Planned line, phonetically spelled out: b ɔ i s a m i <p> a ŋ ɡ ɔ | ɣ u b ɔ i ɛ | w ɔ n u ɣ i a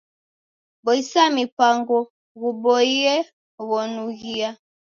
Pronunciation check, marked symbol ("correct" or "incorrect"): correct